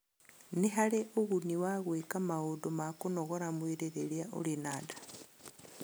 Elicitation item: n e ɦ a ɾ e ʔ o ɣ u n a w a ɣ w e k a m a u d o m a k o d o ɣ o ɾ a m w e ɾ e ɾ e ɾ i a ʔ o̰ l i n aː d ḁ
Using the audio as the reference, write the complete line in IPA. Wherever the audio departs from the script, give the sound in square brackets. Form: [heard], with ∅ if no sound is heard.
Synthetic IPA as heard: n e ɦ a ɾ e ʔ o ɣ u n [i] w a ɣ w e k a m a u d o m a k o [n] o ɣ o ɾ a m w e ɾ e ɾ e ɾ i a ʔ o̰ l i n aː d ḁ